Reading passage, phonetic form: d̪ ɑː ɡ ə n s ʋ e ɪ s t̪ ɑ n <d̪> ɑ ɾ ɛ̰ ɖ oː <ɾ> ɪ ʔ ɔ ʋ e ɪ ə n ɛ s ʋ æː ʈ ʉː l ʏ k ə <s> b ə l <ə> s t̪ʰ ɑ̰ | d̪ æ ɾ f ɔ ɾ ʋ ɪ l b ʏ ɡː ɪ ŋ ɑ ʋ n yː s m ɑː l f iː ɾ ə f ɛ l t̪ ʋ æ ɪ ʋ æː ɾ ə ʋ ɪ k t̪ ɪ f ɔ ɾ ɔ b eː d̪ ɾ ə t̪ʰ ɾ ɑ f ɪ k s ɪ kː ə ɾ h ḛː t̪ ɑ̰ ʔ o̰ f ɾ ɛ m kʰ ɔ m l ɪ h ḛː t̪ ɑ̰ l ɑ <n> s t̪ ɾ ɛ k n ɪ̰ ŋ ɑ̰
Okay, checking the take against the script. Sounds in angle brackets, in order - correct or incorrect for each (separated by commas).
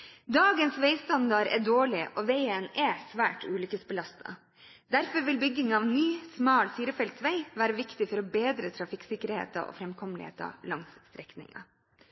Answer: correct, incorrect, correct, incorrect, incorrect